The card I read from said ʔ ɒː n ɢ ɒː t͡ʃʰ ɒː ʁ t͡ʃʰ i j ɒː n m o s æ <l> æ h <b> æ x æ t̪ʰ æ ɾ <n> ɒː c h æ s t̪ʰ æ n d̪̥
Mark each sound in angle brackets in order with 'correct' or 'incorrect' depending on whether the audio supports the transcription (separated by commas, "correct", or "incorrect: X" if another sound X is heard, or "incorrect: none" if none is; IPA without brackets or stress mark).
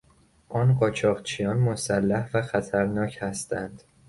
incorrect: lː, incorrect: v, correct